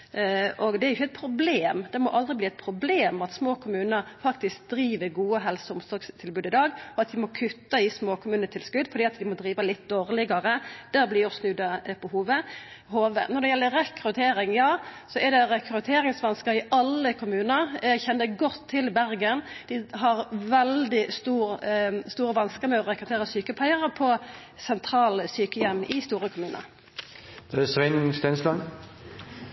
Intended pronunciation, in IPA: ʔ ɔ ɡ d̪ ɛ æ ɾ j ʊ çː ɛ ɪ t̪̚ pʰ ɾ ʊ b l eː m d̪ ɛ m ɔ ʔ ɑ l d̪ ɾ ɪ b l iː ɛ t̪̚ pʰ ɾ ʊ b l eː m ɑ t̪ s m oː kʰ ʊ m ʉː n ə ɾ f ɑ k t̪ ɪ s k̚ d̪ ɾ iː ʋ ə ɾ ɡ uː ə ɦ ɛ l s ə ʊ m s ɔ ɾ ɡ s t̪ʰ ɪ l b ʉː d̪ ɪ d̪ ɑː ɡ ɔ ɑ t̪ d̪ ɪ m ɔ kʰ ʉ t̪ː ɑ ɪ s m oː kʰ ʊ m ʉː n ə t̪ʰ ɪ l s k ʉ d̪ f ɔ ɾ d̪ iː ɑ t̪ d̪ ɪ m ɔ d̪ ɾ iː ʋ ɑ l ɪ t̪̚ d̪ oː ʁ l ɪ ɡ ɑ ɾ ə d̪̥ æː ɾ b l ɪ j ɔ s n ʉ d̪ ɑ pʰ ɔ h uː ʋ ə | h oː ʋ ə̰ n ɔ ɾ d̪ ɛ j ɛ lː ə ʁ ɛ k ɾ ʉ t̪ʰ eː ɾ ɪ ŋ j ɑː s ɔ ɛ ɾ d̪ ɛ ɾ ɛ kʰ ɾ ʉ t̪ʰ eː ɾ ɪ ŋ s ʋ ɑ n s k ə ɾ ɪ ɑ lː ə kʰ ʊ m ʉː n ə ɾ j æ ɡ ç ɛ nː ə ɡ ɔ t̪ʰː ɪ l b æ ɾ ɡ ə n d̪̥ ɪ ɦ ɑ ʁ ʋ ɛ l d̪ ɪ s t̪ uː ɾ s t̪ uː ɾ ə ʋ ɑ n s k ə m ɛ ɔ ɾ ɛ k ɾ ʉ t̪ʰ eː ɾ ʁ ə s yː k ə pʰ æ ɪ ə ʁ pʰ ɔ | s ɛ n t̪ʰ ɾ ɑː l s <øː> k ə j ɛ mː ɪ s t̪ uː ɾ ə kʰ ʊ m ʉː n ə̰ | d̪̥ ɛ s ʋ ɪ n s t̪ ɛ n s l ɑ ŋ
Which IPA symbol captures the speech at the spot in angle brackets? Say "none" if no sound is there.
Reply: yː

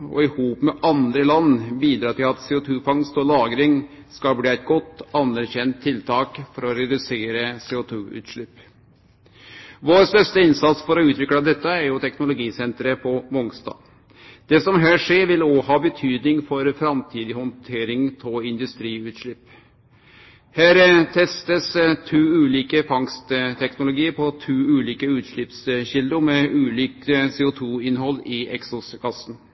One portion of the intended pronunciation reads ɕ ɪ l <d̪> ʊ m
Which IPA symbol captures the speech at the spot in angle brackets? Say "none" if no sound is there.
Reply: d̪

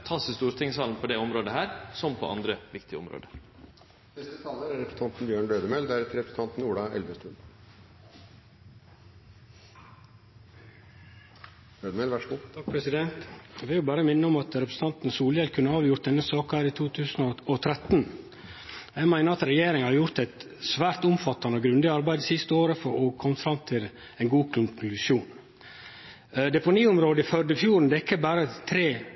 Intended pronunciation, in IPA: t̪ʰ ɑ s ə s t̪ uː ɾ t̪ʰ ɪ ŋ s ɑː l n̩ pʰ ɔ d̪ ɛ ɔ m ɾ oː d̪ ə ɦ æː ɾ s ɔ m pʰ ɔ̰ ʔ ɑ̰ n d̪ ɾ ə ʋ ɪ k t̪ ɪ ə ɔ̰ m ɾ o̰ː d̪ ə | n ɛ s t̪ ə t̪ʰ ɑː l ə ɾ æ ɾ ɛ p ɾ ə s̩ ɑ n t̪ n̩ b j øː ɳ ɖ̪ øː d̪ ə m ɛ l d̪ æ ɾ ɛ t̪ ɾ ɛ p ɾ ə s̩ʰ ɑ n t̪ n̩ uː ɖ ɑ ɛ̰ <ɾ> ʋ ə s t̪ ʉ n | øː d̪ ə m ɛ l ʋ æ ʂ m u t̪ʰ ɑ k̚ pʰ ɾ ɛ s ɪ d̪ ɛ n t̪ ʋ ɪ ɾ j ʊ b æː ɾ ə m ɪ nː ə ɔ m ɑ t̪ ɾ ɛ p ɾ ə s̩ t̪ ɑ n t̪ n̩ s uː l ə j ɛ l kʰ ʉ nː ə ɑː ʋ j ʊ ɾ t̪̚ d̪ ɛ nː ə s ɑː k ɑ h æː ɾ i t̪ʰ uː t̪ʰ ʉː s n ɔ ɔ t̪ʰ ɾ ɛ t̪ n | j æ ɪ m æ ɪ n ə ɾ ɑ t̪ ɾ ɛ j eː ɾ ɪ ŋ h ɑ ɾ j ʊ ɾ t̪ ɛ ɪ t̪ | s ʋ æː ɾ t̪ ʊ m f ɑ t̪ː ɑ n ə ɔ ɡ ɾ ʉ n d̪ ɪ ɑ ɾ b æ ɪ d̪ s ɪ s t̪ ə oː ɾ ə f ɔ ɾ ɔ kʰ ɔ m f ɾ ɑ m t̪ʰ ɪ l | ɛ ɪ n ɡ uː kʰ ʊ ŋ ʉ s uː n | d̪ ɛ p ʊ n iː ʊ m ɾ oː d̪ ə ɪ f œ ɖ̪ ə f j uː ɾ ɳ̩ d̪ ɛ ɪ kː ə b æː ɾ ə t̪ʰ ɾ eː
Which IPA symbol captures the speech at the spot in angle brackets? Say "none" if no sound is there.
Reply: l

